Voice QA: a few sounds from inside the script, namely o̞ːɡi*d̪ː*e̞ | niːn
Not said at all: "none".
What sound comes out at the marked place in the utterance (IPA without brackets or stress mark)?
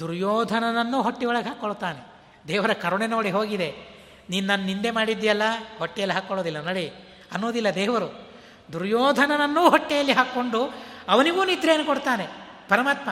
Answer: d̪